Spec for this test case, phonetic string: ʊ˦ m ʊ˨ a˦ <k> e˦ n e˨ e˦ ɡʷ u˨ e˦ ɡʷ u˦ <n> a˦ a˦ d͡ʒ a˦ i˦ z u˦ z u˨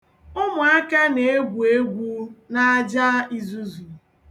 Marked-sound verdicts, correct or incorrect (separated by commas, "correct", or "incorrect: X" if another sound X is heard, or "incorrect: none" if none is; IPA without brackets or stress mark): correct, correct